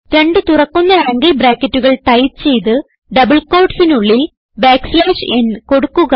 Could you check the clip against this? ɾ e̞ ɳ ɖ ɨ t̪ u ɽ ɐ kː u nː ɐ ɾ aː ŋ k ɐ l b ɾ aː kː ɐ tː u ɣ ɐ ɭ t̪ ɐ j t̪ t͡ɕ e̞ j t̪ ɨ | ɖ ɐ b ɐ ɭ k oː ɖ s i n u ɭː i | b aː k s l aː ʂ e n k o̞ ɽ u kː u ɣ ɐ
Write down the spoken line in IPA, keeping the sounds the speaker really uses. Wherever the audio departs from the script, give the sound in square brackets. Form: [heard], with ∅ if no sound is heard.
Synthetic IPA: ɾ e̞ ɳ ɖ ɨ t̪ u [r] ɐ kː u nː ɐ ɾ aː ŋ [ɡ] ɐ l b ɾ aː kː ɐ tː u ɣ ɐ ɭ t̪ ɐ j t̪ t͡ɕ e̞ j t̪ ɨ | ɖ ɐ b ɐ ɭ k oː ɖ s i n u ɭː i | b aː k s l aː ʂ e n k o̞ ɽ u kː u ɣ ɐ